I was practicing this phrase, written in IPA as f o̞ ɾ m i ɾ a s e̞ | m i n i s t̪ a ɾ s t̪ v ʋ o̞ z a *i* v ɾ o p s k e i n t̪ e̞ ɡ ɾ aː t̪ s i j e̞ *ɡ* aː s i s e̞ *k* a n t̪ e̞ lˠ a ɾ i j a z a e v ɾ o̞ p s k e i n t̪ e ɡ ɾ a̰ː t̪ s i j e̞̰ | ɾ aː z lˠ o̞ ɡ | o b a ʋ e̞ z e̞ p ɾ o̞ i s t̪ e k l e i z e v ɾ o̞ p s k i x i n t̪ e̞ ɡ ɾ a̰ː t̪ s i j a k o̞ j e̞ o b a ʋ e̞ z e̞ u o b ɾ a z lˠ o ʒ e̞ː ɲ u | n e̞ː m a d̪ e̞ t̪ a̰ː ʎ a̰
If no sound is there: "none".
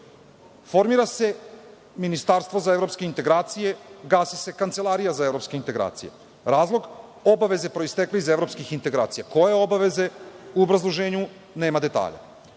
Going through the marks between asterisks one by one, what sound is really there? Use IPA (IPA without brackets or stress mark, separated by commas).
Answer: e, ɡ, k